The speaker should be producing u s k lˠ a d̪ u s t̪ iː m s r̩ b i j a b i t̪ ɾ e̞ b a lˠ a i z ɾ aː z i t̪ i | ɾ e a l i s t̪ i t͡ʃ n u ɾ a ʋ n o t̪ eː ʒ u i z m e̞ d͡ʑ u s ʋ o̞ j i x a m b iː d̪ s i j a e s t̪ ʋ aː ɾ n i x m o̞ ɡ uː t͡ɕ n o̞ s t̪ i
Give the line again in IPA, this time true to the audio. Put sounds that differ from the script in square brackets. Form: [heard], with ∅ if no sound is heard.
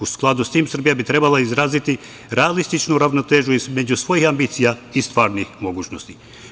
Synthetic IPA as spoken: u s k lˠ a d̪ u s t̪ iː m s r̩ b i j a b i t̪ ɾ e̞ b a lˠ a i z ɾ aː z i t̪ i | ɾ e a l i s t̪ i t͡ʃ n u ɾ a ʋ n o t̪ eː ʒ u i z m e̞ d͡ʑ u s ʋ o̞ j i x a m b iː [t̪] s i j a [i] s t̪ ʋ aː ɾ n i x m o̞ ɡ uː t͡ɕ n o̞ s t̪ i